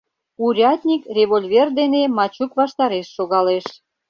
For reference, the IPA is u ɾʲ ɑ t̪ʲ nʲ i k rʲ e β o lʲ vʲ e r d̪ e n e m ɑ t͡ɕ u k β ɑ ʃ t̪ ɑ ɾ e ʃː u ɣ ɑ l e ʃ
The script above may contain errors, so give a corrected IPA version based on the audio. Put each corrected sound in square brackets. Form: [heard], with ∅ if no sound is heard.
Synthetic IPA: u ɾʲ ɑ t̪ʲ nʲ i k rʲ e β o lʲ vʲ e r d̪ e n e m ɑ t͡ɕ u k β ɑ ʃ t̪ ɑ ɾ e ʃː [o] ɣ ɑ l e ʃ